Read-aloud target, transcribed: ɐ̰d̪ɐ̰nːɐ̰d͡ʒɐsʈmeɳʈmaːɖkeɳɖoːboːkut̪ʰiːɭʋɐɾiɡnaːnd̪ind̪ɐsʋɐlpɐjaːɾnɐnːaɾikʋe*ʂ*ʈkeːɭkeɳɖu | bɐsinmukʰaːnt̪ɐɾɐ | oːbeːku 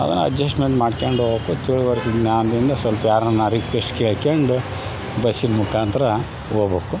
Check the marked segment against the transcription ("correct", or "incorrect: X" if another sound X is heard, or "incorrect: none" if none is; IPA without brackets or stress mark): incorrect: s